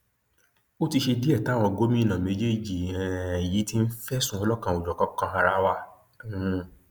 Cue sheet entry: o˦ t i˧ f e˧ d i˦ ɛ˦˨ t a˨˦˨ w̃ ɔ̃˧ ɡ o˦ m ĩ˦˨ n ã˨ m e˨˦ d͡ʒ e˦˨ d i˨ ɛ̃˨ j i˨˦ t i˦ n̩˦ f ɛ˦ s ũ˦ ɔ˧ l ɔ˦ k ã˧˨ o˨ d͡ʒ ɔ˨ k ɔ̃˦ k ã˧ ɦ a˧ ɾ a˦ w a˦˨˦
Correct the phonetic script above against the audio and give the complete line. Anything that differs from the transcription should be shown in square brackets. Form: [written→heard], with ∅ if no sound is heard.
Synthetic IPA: o˦ t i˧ [f→ʃ] e˧ d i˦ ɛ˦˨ t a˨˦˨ w̃ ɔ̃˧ ɡ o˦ m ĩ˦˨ n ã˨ m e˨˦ d͡ʒ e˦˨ [d→d͡ʒ] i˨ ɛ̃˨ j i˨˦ t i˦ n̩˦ f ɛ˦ s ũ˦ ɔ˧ l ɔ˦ k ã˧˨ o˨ d͡ʒ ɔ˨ k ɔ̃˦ k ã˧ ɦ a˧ ɾ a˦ w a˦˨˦